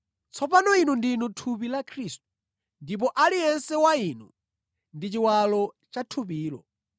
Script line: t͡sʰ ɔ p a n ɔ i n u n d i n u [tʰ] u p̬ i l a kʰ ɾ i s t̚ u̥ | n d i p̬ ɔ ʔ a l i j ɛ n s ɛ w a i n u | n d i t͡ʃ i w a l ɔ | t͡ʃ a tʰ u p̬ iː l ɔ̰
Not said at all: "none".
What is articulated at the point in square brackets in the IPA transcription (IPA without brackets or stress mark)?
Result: tʰ